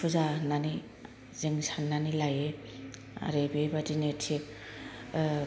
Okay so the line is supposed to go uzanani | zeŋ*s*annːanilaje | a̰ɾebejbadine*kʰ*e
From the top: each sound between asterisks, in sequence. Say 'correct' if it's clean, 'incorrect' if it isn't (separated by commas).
correct, incorrect